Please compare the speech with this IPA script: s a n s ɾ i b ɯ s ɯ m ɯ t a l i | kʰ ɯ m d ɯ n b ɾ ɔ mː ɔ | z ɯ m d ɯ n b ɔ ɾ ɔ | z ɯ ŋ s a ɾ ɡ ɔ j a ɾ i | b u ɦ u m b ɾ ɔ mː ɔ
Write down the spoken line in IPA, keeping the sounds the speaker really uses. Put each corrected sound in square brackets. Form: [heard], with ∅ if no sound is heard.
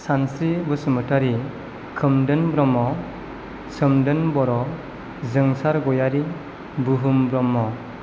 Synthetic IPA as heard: s a n s ɾ i b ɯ s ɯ m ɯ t a [ɾ] i | kʰ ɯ m d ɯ n b ɾ ɔ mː ɔ | [s] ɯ m d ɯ n b ɔ ɾ ɔ | z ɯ ŋ s a ɾ ɡ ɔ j a ɾ i | b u ɦ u m b ɾ ɔ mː ɔ